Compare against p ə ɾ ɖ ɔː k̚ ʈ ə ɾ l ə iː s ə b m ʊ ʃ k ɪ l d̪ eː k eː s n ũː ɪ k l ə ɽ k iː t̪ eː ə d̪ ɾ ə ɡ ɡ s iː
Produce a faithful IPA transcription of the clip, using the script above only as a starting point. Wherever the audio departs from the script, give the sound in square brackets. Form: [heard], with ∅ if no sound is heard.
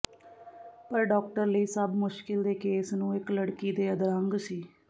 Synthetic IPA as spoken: p ə ɾ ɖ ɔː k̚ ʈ ə ɾ l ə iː s ə b m ʊ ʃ k ɪ l d̪ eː k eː s n ũː ɪ k l ə ɽ k iː [d̪] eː ə d̪ ɾ ə [ŋ] ɡ s iː